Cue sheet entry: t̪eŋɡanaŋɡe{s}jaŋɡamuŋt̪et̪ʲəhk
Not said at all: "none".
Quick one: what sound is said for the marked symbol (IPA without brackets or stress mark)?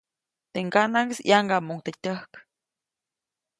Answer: s